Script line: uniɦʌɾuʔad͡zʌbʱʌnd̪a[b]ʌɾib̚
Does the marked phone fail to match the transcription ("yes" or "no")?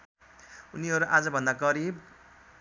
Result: yes